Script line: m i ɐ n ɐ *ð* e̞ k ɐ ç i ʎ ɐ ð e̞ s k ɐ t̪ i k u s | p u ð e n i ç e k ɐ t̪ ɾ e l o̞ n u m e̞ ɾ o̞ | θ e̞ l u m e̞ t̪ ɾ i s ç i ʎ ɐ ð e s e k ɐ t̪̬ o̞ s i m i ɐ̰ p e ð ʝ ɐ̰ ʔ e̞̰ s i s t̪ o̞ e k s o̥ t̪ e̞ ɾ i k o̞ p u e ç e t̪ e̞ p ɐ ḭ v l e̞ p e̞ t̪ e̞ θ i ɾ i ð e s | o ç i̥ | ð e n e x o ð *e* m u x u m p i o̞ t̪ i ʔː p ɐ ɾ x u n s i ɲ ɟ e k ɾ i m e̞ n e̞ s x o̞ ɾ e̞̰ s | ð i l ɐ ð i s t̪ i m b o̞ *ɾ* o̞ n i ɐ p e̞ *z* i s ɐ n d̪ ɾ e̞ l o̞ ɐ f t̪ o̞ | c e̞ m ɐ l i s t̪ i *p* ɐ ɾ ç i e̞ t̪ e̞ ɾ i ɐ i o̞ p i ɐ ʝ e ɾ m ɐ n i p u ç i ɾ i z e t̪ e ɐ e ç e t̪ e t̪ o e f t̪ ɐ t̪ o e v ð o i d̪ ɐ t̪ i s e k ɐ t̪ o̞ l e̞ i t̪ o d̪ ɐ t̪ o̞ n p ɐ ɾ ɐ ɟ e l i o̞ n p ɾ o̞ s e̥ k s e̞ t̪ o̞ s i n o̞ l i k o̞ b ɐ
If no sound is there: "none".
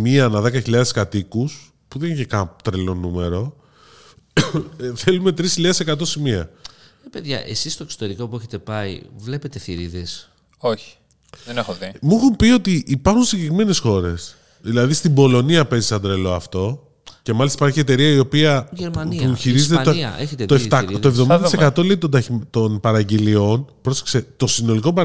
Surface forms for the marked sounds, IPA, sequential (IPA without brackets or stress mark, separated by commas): ð, i, l, z, p